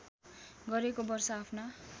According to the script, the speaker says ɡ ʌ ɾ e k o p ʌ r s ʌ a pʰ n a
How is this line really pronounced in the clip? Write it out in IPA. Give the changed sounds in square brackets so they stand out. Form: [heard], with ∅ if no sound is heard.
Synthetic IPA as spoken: ɡ ʌ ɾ e k o [b] ʌ r s ʌ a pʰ n a